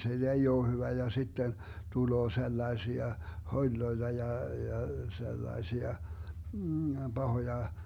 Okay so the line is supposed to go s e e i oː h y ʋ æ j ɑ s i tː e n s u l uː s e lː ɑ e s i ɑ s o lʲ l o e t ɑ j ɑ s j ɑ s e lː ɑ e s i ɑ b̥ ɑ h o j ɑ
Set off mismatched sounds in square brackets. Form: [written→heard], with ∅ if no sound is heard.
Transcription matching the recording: s e e i oː h y ʋ æ j ɑ s i tː e n [s→t] u l [uː→oː] s e lː ɑ e s i ɑ [s→h] o lʲ l o e t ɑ j ɑ [s→∅] j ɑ s e lː ɑ e s i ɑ b̥ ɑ h o j ɑ